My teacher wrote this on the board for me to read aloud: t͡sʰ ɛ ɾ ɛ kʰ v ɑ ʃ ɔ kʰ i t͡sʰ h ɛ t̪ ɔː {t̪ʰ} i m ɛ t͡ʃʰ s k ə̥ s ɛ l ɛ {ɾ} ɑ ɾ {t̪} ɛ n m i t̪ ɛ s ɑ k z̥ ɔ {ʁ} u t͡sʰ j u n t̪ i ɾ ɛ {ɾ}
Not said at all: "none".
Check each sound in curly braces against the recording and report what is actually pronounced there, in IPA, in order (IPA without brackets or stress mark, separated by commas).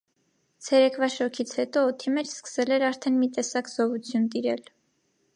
t̪ʰ, ɾ, t̪ʰ, v, l